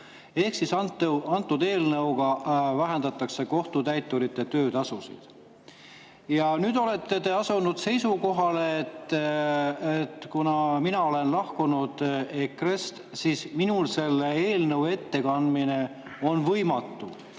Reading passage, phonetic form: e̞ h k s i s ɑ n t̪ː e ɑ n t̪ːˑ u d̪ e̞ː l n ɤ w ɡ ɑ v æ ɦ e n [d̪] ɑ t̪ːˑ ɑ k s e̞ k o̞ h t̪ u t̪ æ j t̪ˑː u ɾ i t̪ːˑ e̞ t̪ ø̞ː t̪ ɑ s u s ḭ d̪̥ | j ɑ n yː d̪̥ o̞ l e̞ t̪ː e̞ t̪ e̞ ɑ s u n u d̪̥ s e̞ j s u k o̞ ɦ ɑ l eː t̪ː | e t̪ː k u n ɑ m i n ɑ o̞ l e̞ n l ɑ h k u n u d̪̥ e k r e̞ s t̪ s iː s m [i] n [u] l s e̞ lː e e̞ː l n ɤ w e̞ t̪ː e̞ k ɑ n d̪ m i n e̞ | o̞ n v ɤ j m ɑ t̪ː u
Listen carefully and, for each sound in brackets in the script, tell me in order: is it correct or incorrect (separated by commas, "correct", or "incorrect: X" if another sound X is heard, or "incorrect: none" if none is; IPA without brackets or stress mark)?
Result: correct, correct, correct